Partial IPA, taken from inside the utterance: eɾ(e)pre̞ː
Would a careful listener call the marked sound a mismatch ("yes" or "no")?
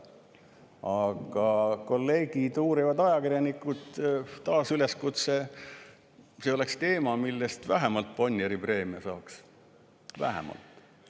yes